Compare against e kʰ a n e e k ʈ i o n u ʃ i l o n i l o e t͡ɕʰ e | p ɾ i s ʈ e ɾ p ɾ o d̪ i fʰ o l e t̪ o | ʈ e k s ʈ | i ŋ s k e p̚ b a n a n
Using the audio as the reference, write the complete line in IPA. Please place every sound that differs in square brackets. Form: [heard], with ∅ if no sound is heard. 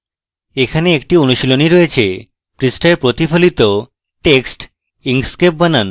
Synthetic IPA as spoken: e kʰ a n e e k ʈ i o n u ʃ i l o n i [ɾ] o e t͡ɕʰ e | p ɾ i s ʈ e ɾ p ɾ o [t̪] i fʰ o l [i] t̪ o | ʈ e k s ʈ | i ŋ s k e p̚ b a n a n